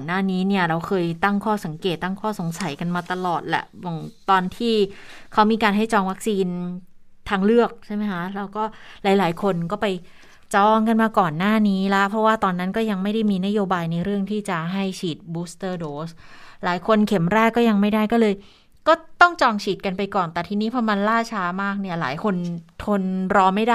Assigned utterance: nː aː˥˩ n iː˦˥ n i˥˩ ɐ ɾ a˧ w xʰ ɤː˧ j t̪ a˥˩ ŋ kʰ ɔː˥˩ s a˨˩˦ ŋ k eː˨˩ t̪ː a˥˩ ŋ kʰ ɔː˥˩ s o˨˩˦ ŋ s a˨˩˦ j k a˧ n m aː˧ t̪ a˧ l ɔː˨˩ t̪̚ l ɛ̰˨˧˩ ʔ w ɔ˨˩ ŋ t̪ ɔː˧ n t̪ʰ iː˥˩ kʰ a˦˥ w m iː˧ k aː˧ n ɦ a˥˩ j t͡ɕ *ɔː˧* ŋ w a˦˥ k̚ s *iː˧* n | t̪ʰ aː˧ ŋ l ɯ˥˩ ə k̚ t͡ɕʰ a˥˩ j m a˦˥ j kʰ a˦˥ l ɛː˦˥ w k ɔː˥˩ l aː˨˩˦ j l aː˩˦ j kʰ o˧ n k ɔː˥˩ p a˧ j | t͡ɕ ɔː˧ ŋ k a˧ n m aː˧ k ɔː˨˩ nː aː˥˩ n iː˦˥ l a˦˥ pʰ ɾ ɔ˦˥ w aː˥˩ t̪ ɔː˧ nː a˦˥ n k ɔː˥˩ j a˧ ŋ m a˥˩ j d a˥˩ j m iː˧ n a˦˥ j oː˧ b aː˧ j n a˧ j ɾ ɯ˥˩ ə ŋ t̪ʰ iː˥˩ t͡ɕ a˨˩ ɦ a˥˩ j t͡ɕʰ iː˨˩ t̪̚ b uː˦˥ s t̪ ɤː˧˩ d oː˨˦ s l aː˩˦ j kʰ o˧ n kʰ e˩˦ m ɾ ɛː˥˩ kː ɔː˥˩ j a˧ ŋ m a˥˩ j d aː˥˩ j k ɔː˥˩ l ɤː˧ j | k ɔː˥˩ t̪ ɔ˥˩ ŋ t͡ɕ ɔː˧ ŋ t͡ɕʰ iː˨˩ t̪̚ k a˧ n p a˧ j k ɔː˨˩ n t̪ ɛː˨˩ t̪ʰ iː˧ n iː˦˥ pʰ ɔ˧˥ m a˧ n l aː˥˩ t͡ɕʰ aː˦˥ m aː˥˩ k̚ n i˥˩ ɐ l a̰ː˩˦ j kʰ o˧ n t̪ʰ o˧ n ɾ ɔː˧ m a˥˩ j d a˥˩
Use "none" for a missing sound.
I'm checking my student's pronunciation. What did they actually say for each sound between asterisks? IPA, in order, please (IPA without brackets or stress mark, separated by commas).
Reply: ɔː˧, iː˧